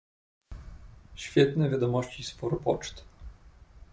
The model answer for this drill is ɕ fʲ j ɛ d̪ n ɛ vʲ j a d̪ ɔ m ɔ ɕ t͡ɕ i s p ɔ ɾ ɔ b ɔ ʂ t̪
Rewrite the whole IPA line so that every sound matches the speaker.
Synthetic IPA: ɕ fʲ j ɛ t̪ n ɛ vʲ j a d̪ ɔ m ɔ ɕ t͡ɕ i s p ɔ ɾ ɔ p ɔ t͡ʂ t̪

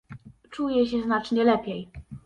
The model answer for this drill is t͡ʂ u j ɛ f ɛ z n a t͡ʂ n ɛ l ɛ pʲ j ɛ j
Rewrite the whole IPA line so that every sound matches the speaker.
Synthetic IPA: t͡ʂ u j ɛ ɕ ɛ z n a t͡ʂ ɲ ɛ l ɛ pʲ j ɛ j

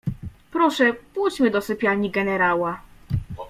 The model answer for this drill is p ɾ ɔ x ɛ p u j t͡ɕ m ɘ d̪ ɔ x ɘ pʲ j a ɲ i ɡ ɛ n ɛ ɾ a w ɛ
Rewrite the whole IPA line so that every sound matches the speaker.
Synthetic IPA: p ɾ ɔ ʂ ɛ p u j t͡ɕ m ɘ d̪ ɔ s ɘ pʲ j a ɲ i ɡ ɛ n ɛ ɾ a w a

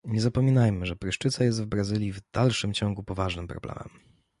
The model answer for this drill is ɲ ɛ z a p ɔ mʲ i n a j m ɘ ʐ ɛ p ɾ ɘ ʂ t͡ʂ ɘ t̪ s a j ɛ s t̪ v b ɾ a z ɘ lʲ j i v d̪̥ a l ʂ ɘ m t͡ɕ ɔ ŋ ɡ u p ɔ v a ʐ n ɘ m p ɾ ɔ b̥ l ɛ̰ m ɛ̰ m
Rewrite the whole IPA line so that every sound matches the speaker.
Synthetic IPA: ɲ ɛ z a p ɔ mʲ i n a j m ɘ ʐ ɛ p ɾ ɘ ʂ t͡ʂ ɘ t̪ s a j ɛ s t̪ v b ɾ a z ɘ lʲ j i v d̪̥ a l ʂ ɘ m t͡ɕ ɔ ŋ ɡ u p ɔ v a ʐ n ɘ m p ɾ ɔ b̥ l ɛ̰ m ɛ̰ m

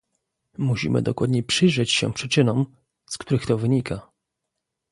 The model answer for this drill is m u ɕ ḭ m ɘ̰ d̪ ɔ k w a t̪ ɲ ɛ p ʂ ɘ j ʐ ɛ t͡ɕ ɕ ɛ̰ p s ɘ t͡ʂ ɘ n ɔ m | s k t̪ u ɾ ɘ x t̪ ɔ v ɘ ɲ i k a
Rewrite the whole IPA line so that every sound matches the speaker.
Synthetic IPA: m u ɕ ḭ m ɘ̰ d̪ ɔ k w a d̪ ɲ ɛ p ʂ ɘ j ʐ ɛ t͡ɕ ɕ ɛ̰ p ʂ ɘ t͡ʂ ɘ n ɔ m | s k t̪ u ɾ ɘ x t̪ ɔ v ɘ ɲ i k a

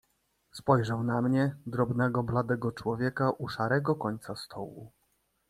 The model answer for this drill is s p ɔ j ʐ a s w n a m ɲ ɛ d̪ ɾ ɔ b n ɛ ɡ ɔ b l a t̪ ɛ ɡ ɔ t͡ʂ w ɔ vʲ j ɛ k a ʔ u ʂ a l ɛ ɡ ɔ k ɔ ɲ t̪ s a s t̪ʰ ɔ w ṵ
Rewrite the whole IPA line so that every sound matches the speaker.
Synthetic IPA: s p ɔ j ʐ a w n a m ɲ ɛ d̪ ɾ ɔ b n ɛ ɡ ɔ b l a d̪ ɛ ɡ ɔ t͡ʂ w ɔ vʲ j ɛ k a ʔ u ʂ a ɾ ɛ ɡ ɔ k ɔ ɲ t̪ s a s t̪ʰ ɔ w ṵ

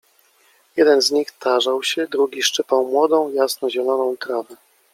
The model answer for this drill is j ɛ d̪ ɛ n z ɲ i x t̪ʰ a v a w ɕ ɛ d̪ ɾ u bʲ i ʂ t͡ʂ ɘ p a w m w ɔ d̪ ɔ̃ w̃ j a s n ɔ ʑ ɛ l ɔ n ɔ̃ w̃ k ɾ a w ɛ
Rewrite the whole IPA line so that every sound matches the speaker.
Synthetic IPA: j ɛ d̪ ɛ n z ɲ i x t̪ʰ a ʐ a w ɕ ɛ d̪ ɾ u ɡʲ i ʂ t͡ʂ ɘ p a w m w ɔ d̪ ɔ̃ w̃ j a s n ɔ ʑ ɛ l ɔ n ɔ̃ w̃ k ɾ a v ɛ

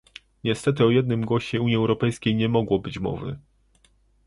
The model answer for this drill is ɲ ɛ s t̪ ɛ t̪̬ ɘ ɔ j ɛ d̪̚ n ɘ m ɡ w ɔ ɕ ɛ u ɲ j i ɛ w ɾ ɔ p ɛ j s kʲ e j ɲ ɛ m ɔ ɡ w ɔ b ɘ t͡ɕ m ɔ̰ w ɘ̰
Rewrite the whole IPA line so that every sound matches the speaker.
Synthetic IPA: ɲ ɛ s t̪ ɛ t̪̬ ɘ ɔ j ɛ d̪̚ n ɘ m ɡ w ɔ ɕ ɛ u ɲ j i ɛ w ɾ ɔ p ɛ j s kʲ e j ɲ ɛ m ɔ ɡ w ɔ b ɘ t͡ɕ m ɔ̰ v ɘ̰

